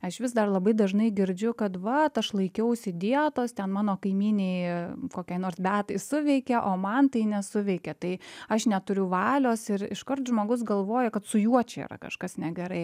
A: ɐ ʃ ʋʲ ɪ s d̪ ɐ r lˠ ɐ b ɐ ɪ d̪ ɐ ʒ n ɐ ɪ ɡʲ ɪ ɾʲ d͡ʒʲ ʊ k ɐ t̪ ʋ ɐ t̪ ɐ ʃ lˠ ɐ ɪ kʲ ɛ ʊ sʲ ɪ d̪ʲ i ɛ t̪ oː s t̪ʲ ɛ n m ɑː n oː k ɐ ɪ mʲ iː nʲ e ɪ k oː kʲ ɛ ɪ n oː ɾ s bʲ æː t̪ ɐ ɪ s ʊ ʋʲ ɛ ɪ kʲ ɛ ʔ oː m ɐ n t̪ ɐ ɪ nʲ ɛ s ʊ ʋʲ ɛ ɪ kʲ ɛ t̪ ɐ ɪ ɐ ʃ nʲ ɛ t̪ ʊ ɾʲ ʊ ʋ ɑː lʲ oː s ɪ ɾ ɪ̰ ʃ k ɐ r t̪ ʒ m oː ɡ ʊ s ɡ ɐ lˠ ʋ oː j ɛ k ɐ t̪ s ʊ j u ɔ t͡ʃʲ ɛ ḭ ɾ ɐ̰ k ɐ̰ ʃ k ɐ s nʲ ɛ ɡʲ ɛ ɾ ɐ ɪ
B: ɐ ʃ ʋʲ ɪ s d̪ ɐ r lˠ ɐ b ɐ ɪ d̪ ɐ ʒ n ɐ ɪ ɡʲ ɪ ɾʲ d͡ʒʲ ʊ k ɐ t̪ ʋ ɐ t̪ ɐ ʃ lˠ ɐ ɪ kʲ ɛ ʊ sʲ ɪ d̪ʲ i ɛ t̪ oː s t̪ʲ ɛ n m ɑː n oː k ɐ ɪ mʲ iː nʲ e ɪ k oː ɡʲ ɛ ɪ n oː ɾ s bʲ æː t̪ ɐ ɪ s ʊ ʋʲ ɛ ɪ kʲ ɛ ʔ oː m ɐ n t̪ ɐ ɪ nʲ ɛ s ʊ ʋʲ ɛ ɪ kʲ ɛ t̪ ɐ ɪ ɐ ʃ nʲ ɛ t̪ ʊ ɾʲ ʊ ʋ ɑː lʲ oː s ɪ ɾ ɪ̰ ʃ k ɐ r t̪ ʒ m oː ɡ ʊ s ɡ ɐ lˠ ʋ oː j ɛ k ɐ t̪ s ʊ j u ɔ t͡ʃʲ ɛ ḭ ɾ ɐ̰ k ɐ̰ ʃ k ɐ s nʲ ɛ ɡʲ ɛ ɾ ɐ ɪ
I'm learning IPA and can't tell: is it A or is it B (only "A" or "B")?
A